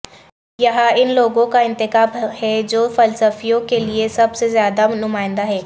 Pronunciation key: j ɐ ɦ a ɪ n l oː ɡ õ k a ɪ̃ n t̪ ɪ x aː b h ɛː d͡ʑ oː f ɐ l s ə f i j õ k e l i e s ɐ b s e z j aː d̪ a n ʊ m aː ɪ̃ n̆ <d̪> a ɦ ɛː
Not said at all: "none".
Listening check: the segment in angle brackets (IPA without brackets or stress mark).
d̪